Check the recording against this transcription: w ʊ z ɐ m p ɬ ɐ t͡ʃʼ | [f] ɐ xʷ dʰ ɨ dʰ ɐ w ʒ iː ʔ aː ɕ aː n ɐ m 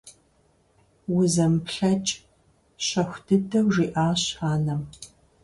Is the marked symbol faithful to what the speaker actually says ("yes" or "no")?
no